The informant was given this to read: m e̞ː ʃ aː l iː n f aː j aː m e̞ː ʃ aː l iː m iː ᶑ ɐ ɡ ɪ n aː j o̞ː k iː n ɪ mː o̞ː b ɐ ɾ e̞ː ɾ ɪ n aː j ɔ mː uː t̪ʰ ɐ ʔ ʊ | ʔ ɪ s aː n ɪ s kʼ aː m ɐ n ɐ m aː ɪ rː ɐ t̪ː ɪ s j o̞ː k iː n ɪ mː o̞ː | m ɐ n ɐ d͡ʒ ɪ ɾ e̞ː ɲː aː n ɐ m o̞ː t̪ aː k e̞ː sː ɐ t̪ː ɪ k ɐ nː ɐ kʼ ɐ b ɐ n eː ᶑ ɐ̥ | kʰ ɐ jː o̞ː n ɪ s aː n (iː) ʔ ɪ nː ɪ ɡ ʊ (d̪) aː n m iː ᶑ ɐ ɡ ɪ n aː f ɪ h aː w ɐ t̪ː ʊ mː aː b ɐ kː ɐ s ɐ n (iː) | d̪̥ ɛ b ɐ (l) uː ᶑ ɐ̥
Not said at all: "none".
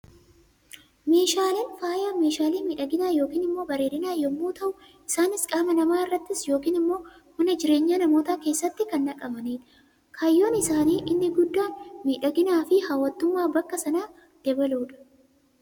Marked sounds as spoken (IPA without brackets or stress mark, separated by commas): iː, d̪ː, aː, l